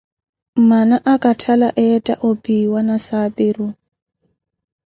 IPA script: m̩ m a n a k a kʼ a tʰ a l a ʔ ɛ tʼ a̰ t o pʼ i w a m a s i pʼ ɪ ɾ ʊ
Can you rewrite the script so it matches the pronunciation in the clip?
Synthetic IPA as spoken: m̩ m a n a ʔ a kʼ a tʰ a l a ʔ ɛ tʼ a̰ ʔ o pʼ i w a n a s a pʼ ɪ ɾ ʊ

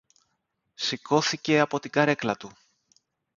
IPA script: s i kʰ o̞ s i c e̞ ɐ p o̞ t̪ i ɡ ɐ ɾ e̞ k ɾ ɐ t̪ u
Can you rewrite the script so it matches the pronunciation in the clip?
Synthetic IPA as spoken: s i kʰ o̞ θ i c e̞ ɐ p o̞ t̪ i ɡ ɐ ɾ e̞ k l ɐ t̪ u

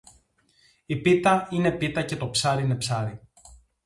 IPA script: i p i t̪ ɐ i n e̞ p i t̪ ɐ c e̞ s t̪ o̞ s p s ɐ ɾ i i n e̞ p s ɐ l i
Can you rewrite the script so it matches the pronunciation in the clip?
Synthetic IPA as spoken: i p i t̪ ɐ i n e̞ p i t̪ ɐ c e̞ t̪ o̞ p s ɐ ɾ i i n e̞ p s ɐ ɾ i

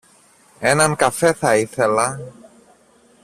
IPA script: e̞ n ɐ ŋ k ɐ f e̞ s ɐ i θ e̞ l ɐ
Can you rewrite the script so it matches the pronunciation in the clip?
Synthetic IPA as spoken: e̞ n ɐ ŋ k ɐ f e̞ θ ɐ i θ e̞ l ɐ

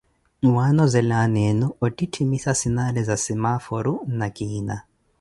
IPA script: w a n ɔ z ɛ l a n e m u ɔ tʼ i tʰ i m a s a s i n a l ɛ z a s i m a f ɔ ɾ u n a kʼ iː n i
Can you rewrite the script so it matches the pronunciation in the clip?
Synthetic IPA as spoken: w a n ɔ z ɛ l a n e n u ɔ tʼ i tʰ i m i s a s i n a l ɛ z a s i m a f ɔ ɾ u n a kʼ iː n a

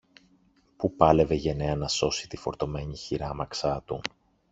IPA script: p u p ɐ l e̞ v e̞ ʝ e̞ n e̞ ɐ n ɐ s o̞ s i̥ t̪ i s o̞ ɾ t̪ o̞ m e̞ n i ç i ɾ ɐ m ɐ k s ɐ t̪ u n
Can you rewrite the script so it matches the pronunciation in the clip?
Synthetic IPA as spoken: p u p ɐ l e̞ v e̞ ʝ e̞ n e̞ ɐ n ɐ s o̞ s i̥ t̪ i f o̞ ɾ t̪ o̞ m e̞ ɲ i ç i ɾ ɐ m ɐ k s ɐ t̪ u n

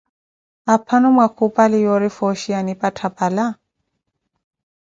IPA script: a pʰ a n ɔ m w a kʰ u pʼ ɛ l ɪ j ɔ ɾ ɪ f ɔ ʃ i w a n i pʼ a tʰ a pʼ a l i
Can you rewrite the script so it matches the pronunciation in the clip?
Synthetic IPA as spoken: a pʰ a n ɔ m w a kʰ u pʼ a l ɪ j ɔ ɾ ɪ f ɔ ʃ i a n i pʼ a tʰ a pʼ a l a

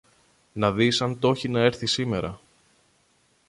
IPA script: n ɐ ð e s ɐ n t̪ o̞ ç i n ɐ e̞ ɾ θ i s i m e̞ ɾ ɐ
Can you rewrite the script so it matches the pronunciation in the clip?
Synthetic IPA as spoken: n ɐ ð i s ɐ n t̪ o̞ ç i n ɐ e̞ ɾ θ i s i m e̞ ɾ ɐ

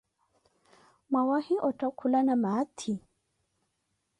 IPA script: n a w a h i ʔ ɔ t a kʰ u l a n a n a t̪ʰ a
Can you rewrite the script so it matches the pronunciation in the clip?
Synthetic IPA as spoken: m a w a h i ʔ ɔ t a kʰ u l a n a m a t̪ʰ i

